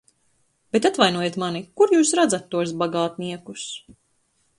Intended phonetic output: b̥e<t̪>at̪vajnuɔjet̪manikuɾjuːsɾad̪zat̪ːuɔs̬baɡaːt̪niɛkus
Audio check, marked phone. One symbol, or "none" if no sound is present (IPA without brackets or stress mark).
t̪